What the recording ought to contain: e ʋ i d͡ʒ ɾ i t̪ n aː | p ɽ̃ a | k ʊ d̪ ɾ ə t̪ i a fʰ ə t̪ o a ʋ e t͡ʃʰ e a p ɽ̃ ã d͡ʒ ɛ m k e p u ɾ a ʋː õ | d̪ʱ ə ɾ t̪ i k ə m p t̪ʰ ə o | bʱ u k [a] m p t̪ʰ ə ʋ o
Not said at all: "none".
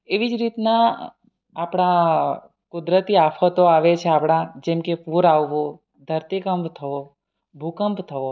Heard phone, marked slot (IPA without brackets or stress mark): ə